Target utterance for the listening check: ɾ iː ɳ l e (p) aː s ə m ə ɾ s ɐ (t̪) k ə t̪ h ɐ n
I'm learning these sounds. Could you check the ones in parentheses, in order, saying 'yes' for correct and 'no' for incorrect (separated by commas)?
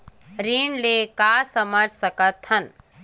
no, no